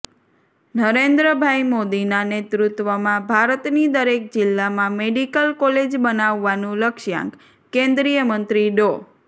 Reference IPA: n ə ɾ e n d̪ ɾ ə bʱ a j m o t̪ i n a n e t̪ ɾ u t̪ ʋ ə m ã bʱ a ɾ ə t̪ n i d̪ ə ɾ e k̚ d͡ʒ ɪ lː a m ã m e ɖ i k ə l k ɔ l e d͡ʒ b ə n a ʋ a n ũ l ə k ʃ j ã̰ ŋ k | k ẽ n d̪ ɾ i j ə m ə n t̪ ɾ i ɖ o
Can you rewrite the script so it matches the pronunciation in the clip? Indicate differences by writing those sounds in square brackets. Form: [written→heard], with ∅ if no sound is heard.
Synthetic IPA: n ə ɾ e n d̪ ɾ ə bʱ a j m o [t̪→d̪] i n a n e t̪ ɾ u t̪ ʋ ə m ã bʱ a ɾ ə t̪ n i d̪ ə ɾ e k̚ d͡ʒ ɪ lː a m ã m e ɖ i k ə l k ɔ l e d͡ʒ b ə n a [ʋ→ʋː] a n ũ l ə k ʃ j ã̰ ŋ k | k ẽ n d̪ ɾ i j ə m ə n t̪ ɾ i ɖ o